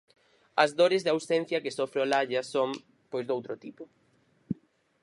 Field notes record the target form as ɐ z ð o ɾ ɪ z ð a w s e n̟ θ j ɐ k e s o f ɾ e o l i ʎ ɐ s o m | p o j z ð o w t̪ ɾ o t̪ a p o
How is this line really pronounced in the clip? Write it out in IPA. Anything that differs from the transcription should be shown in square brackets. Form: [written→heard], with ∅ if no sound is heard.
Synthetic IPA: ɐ z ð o ɾ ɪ z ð a w s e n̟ θ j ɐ k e s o f ɾ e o l [i→a] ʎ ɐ s o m | p o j z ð o w t̪ ɾ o t̪ [a→i] p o